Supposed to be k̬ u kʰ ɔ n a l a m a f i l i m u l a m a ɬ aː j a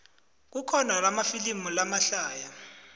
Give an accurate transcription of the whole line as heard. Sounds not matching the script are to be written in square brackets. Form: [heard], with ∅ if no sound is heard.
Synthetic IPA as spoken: k̬ u kʰ ɔ n a l a m a f i l i m u l a m a ɬ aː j a